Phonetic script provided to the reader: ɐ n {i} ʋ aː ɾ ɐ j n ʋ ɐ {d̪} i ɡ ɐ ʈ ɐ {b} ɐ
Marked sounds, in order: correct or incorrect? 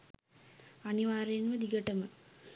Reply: correct, correct, incorrect

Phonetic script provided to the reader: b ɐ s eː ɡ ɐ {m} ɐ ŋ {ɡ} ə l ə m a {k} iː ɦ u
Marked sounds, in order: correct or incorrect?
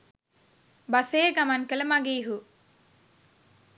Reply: correct, incorrect, incorrect

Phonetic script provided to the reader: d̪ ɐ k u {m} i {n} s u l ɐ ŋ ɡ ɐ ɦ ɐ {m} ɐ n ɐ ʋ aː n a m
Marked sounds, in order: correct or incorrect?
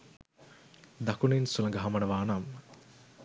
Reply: incorrect, correct, correct

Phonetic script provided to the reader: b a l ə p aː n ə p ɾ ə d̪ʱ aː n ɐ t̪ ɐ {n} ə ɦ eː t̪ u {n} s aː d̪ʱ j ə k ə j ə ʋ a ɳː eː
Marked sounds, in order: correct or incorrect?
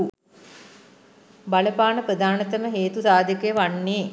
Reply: incorrect, incorrect

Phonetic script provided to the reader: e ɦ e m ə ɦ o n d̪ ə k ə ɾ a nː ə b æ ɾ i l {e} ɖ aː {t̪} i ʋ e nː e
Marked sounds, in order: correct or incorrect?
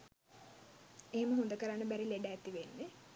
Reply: correct, correct

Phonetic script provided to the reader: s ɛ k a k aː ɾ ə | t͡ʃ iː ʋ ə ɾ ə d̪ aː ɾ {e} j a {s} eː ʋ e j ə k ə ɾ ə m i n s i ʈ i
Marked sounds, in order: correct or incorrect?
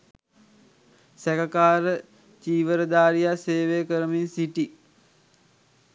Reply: incorrect, correct

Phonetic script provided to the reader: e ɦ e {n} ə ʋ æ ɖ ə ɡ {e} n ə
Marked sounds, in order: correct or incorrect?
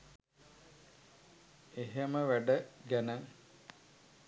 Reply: incorrect, incorrect

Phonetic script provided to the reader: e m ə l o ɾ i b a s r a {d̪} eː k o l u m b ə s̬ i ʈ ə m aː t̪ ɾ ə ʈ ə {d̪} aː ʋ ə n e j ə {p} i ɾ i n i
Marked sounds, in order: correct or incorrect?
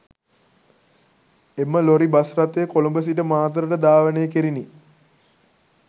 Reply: incorrect, correct, incorrect

